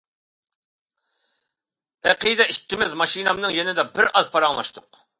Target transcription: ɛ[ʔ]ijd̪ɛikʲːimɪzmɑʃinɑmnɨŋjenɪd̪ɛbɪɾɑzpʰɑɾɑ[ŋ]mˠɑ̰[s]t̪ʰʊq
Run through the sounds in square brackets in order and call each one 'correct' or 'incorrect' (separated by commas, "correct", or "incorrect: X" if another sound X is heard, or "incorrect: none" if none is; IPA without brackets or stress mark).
incorrect: q, correct, incorrect: ʃ